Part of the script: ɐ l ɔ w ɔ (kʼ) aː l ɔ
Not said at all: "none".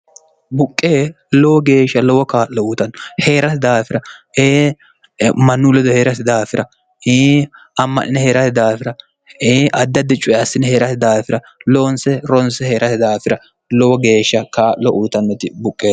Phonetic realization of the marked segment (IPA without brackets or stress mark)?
k